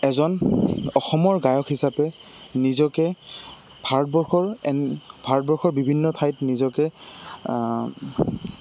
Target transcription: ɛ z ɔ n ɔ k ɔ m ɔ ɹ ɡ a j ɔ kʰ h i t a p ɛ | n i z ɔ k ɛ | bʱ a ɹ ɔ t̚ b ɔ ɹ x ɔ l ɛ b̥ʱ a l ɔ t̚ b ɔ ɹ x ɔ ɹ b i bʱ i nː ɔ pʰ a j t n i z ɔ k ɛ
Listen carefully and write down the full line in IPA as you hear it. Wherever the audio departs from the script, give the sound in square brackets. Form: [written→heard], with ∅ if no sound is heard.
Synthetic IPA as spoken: ɛ z ɔ n ɔ [k→x] ɔ m ɔ ɹ ɡ a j ɔ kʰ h i [t→s] a p ɛ | n i z ɔ k ɛ | bʱ a ɹ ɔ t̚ b ɔ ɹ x ɔ [l→ɹ] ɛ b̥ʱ a [l→ɹ] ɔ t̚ b ɔ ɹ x ɔ ɹ b i bʱ i nː ɔ [pʰ→tʰ] a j t n i z ɔ k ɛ